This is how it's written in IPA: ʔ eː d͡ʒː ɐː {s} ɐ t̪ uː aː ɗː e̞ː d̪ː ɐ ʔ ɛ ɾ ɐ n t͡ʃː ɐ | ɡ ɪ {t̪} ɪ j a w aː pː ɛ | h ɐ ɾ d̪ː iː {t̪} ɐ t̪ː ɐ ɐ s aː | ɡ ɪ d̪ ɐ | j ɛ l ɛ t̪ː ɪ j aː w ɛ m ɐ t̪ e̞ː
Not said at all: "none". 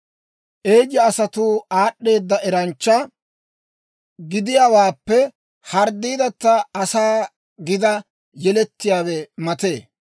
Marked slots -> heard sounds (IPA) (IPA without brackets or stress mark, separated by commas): s, d̪, d̪